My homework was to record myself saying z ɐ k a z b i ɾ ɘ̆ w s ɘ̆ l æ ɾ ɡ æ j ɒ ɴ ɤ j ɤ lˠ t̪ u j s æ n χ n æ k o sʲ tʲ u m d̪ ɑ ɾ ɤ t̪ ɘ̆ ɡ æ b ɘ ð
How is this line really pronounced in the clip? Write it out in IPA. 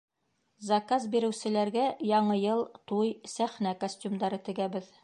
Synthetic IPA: z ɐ k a z b i ɾ ɘ̆ w s ɘ̆ l æ ɾ ɡ æ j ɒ ɴ ɤ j ɤ lˠ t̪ u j s æ χ n æ k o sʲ tʲ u m d̪ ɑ ɾ ɤ t̪ ɘ̆ ɡ æ b ɘ ð